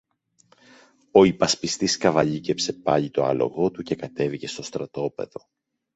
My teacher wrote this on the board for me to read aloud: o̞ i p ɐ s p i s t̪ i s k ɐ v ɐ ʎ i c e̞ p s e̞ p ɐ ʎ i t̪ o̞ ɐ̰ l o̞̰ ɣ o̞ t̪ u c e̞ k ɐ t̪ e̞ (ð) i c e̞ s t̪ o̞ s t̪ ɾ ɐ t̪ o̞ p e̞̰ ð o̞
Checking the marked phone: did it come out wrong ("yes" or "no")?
yes